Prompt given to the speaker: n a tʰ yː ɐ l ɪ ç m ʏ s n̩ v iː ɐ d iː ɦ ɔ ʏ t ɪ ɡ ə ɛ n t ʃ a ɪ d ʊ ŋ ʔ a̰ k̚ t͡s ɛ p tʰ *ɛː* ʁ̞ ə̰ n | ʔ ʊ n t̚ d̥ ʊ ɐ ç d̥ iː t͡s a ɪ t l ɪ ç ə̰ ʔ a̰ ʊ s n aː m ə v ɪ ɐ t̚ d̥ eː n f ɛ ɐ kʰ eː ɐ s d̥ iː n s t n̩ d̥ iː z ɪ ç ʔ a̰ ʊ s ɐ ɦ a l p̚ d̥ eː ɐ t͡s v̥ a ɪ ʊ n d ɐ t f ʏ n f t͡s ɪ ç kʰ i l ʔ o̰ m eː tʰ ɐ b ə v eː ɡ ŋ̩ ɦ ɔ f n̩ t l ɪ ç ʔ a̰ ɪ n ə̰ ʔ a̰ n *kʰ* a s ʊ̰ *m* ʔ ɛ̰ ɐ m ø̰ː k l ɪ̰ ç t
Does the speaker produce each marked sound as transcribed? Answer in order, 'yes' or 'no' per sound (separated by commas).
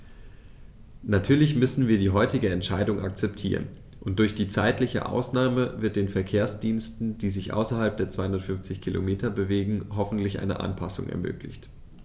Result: no, no, no